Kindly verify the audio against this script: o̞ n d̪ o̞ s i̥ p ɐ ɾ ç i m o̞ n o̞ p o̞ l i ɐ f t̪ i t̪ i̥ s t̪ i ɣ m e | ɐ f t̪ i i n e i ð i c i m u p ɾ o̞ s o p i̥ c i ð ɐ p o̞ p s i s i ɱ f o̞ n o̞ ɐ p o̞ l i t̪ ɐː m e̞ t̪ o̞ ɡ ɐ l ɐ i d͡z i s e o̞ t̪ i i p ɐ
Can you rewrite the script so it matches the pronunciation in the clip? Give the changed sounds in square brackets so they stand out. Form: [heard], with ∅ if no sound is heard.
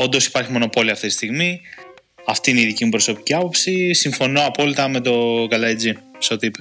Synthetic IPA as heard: o̞ n d̪ o̞ s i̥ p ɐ ɾ ç i m o̞ n o̞ p o̞ l i ɐ f t̪ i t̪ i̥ s t̪ i ɣ m [i] | ɐ f t̪ i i n e i ð i c i m u p ɾ o̞ s o p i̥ c i [∅] ɐ p o̞ p s i s i ɱ f o̞ n o̞ ɐ p o̞ l i t̪ [ɐ] m e̞ t̪ o̞ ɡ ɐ l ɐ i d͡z i s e o̞ t̪ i i p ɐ